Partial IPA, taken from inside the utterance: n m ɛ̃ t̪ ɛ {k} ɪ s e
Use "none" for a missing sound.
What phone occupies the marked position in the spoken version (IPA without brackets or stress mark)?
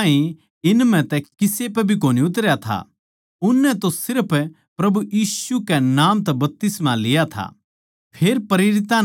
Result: k